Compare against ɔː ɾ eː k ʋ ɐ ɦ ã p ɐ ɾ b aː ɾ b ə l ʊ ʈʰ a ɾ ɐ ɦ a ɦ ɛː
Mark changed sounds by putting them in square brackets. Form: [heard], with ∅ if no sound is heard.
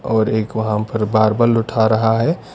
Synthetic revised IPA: ɔː ɾ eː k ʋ ɐ ɦ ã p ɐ ɾ b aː ɾ b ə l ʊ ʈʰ a ɾ ɐ ɦ a ɦ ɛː